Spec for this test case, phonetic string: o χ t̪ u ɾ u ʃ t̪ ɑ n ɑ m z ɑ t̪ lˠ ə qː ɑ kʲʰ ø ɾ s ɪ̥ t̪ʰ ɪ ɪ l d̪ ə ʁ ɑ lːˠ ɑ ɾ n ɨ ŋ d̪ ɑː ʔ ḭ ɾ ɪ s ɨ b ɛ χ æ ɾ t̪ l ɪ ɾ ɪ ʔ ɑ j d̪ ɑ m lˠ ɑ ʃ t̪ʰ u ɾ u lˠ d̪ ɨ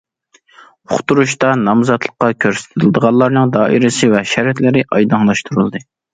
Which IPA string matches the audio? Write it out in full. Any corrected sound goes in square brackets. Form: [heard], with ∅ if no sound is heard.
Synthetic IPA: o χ t̪ u ɾ u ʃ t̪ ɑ n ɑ m z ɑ t̪ lˠ ə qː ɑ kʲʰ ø ɾ s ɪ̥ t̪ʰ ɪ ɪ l d̪ ə ʁ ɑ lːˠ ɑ ɾ n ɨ ŋ d̪ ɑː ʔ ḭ ɾ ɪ s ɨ [v] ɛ [ʃ] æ ɾ t̪ l ɪ ɾ ɪ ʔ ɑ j d̪ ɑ [ŋ] lˠ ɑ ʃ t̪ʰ u ɾ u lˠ d̪ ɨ

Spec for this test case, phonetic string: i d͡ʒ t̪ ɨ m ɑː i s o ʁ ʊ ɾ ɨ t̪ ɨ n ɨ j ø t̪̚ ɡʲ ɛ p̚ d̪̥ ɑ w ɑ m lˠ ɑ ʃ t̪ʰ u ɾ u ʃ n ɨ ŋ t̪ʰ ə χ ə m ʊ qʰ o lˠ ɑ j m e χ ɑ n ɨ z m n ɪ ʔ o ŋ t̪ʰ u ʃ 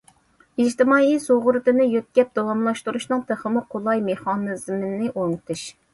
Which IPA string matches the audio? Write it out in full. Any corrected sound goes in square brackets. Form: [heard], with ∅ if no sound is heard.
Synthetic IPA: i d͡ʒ t̪ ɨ m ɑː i s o ʁ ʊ ɾ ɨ t̪ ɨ n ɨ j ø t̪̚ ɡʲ ɛ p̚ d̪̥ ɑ w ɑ m lˠ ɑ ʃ [t̪] u ɾ u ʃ n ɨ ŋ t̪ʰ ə χ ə m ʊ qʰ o lˠ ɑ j m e χ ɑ n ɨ z m n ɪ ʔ o ŋ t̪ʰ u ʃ

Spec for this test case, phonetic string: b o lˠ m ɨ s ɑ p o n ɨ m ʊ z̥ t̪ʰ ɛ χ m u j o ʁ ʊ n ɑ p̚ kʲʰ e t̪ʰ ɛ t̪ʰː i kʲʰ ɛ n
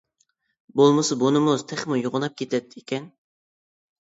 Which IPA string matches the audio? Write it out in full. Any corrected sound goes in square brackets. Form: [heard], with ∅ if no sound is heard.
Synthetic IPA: b o lˠ m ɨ s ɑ [b] o n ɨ m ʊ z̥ t̪ʰ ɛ χ m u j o ʁ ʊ n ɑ p̚ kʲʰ e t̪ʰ ɛ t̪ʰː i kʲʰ ɛ n

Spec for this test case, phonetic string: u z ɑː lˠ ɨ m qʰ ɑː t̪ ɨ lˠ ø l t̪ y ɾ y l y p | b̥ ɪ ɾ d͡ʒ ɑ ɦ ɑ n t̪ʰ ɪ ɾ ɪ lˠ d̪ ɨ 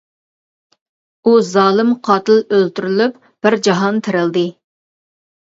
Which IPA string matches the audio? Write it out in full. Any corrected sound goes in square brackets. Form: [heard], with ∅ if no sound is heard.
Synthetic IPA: u z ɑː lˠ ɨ m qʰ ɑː t̪ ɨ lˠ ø l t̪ y ɾ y l y p | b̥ ɪ ɾ d͡ʒ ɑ ɦ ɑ n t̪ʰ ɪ ɾ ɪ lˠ d̪ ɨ

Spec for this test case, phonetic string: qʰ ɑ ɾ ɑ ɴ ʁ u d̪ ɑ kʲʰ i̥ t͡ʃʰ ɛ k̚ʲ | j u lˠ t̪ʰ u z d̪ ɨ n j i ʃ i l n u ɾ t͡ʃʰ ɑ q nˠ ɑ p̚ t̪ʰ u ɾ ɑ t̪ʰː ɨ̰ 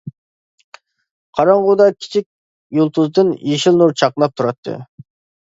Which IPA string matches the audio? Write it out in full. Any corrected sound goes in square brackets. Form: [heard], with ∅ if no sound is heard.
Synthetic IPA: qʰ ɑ ɾ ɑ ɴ ʁ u d̪ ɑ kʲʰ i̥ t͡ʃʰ [i] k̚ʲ | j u lˠ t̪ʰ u z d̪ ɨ n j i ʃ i l n u ɾ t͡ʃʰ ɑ q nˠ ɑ p̚ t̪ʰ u ɾ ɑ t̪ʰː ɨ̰

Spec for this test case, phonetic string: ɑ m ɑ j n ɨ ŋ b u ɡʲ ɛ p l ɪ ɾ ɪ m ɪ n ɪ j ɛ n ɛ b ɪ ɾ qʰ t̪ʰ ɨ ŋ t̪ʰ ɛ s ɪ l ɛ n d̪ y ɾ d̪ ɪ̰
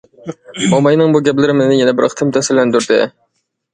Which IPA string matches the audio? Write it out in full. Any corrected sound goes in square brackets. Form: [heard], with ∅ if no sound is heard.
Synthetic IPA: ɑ m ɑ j n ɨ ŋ b u ɡʲ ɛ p l ɪ ɾ ɪ m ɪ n ɪ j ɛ n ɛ b ɪ ɾ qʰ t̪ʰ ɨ [m] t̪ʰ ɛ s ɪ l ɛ n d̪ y ɾ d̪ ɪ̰

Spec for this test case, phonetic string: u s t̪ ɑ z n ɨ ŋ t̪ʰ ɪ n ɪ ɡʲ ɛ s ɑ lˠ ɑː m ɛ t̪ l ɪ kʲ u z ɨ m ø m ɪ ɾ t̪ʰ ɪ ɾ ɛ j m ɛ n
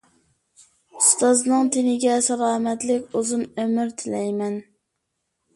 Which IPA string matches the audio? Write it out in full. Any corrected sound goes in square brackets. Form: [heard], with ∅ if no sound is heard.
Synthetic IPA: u s t̪ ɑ z n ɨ ŋ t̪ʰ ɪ n ɪ ɡʲ ɛ s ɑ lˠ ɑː m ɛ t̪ l ɪ kʲ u z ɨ m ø m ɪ ɾ t̪ʰ ɪ [l] ɛ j m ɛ n

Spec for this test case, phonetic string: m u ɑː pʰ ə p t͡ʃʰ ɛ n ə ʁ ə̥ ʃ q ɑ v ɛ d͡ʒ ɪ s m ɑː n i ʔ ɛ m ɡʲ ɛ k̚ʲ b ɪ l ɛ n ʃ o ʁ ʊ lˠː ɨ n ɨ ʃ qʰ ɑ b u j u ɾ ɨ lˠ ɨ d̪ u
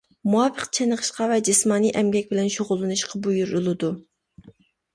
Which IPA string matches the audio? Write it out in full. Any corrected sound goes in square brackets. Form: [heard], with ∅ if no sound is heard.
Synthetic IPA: m u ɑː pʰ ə [q] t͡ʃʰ ɛ n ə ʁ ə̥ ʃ q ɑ v ɛ d͡ʒ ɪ s m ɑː n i ʔ ɛ m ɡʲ ɛ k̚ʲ b ɪ l ɛ n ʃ o ʁ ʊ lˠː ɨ n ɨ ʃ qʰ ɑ b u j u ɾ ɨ lˠ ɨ d̪ u

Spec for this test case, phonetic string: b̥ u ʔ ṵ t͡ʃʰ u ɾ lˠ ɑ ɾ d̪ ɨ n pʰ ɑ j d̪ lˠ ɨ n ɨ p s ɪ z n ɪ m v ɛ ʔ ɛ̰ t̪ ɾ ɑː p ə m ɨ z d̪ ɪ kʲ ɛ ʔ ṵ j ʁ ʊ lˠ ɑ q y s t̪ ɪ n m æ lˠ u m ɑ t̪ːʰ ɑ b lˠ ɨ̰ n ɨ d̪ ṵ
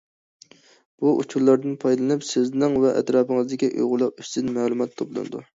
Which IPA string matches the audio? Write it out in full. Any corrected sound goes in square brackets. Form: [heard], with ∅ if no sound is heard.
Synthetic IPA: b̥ u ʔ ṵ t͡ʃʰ u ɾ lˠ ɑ ɾ d̪ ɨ n pʰ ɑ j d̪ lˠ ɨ n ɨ p s ɪ z n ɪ [ŋ] v ɛ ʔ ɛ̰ t̪ ɾ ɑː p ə [ŋ] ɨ z d̪ ɪ kʲ [i] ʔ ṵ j ʁ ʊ lˠ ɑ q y s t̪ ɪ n m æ lˠ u m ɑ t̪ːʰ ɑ b lˠ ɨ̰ n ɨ d̪ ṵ

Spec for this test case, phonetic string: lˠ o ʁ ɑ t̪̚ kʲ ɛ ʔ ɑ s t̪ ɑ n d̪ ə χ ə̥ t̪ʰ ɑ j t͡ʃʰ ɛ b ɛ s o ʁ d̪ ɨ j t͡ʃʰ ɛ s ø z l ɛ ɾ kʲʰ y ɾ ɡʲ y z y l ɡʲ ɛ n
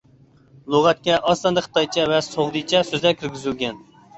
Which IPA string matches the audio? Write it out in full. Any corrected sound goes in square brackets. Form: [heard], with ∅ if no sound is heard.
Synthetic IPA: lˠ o ʁ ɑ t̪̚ kʲ ɛ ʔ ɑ s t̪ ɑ n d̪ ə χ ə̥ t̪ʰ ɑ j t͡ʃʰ ɛ [v] ɛ s o ʁ d̪ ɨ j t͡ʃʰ ɛ s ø z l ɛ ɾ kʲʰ y ɾ ɡʲ y z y l ɡʲ ɛ n

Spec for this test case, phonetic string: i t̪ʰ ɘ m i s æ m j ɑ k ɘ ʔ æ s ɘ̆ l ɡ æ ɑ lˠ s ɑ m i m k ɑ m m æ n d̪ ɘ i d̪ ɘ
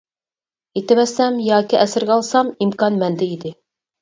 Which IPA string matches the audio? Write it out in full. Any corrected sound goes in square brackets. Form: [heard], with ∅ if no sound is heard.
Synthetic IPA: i [t̪] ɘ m [æ] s æ m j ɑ k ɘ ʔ æ s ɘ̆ [ɾ] ɡ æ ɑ lˠ s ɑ m i m k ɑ [n] m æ n d̪ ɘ i d̪ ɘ

